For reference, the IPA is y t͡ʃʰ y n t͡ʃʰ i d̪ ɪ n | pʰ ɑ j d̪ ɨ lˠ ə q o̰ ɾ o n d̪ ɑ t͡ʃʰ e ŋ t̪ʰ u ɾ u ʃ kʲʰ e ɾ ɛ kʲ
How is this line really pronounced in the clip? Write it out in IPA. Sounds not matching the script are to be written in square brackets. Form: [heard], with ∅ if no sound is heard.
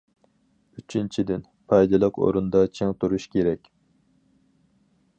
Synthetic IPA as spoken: y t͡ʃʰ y n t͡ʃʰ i d̪ ɪ n | pʰ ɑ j d̪ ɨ lˠ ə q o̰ ɾ [u] n d̪ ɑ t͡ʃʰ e ŋ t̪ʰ u ɾ u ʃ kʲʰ e ɾ ɛ kʲ